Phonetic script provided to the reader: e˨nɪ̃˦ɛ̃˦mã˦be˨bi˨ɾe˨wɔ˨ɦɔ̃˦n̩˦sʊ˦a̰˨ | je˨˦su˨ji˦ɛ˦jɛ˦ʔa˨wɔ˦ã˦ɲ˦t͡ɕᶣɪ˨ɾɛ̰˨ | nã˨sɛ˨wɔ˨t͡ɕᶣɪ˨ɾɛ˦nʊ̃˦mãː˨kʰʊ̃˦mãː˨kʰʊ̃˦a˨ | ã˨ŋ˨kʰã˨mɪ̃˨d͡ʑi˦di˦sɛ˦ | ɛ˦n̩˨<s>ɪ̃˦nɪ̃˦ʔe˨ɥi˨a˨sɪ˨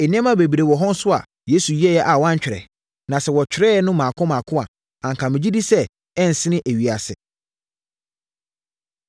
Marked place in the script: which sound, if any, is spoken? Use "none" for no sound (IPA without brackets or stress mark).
s